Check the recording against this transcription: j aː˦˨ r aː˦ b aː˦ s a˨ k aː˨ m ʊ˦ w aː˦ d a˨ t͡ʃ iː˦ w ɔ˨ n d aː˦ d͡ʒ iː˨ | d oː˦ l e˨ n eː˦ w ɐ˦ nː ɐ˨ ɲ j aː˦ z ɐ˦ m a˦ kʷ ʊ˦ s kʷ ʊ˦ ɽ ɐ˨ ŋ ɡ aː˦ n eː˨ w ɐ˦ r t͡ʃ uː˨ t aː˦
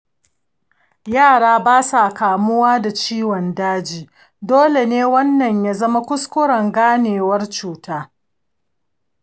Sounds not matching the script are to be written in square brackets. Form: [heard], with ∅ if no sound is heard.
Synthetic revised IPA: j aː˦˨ [ɽ] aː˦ b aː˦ s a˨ k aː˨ m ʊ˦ w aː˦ d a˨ t͡ʃ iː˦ w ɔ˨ n d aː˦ d͡ʒ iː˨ | d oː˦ l e˨ n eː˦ w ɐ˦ nː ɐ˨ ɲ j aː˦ z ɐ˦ m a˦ kʷ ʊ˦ s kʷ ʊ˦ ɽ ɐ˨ ŋ ɡ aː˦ n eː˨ w ɐ˦ r t͡ʃ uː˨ t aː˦

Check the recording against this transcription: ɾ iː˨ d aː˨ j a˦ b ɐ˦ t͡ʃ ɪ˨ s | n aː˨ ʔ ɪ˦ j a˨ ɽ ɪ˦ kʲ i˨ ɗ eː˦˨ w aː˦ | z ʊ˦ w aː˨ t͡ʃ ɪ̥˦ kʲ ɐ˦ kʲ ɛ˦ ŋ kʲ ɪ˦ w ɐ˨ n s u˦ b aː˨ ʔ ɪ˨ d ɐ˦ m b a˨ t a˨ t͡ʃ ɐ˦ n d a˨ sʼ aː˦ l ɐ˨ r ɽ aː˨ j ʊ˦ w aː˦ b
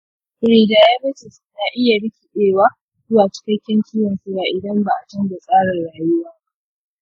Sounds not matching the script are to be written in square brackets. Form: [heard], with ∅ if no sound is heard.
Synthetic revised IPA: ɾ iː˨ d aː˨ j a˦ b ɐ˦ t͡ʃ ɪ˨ s | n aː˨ ʔ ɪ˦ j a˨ ɽ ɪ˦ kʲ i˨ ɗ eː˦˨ w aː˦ | z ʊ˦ w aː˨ t͡ʃ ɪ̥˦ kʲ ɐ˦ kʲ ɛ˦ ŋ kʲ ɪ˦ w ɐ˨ n s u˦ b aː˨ ʔ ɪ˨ d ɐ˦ m b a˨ [ʔ] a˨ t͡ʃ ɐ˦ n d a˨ sʼ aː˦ [ɽ] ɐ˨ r ɽ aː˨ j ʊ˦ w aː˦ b

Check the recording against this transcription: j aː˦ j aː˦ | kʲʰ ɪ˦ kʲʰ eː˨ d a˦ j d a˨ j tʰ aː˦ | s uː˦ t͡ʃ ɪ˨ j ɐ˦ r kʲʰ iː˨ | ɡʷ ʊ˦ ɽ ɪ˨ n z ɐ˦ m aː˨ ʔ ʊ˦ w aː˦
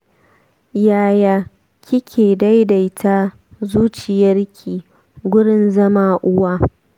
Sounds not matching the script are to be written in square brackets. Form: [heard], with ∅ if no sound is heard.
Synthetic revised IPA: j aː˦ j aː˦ | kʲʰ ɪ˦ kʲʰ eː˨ d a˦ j d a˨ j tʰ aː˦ | [z] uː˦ t͡ʃ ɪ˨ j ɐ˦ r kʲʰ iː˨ | ɡʷ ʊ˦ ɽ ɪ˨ n z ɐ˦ m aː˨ ʔ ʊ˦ w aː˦

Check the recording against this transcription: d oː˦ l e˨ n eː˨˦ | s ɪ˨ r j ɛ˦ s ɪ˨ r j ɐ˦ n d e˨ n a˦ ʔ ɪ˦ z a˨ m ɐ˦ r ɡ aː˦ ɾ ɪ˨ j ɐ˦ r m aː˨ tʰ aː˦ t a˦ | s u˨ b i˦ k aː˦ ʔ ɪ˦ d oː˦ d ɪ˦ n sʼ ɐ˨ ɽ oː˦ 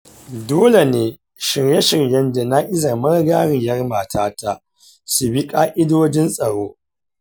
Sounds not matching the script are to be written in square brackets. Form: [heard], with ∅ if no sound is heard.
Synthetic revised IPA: d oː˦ l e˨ n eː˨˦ | [ʃ] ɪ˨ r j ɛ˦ [ʃ] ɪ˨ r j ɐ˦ n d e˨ n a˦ ʔ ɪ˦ z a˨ m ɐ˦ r ɡ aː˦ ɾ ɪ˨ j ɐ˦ r m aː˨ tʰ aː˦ t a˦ | s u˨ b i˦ [kʼ] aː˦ ʔ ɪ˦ d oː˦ [d͡ʒ] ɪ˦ n sʼ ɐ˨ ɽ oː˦

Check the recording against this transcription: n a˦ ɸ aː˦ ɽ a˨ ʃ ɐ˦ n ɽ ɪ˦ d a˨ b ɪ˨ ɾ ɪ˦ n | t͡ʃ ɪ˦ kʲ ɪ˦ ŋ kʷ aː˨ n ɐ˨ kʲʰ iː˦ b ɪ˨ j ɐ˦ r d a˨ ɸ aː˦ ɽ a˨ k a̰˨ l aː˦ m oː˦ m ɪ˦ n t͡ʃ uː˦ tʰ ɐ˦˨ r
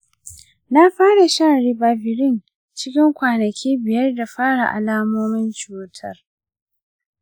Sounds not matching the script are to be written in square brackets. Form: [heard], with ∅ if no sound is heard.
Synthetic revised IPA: n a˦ ɸ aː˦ ɽ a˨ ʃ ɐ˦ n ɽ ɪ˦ [b] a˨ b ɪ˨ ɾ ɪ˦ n | t͡ʃ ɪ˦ kʲ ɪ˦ ŋ kʷ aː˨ n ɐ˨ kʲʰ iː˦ b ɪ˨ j ɐ˦ r d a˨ ɸ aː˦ ɽ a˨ [ʔ] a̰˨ l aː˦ m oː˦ m ɪ˦ n t͡ʃ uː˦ tʰ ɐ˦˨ r

